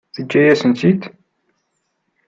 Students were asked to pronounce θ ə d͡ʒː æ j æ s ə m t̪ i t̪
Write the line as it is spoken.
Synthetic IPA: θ ə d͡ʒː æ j æ s ə n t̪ i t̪